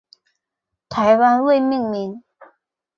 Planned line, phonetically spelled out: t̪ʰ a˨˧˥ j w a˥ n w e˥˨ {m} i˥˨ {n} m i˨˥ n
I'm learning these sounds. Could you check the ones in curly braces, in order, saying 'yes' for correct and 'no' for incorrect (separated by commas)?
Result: yes, no